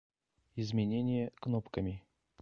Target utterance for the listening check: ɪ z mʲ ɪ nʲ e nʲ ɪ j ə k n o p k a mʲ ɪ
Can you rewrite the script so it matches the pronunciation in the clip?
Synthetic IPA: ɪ z mʲ ɪ nʲ e nʲ ɪ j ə k n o p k ə mʲ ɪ